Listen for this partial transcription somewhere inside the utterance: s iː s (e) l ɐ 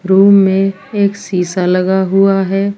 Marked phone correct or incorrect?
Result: incorrect